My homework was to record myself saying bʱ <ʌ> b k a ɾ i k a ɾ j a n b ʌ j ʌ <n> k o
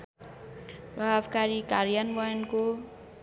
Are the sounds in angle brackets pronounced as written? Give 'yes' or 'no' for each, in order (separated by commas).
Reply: no, yes